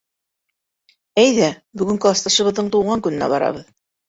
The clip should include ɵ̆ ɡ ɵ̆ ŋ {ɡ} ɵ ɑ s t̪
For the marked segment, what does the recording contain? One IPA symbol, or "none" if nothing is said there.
k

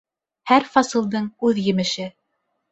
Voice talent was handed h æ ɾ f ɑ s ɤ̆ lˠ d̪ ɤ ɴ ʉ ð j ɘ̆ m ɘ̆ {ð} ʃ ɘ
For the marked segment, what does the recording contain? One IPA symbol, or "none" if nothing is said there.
none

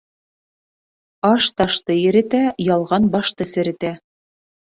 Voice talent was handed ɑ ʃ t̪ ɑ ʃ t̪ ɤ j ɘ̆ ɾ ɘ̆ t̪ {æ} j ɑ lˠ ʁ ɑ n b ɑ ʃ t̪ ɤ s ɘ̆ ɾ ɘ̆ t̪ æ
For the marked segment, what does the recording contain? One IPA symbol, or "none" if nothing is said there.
æ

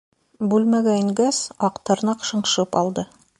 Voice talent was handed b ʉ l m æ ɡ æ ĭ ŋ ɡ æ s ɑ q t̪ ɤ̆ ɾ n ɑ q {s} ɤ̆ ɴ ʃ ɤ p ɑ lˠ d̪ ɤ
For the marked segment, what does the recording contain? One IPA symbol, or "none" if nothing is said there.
ʃ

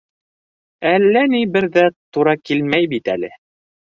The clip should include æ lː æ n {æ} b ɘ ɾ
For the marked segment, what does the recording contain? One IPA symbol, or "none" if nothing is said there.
i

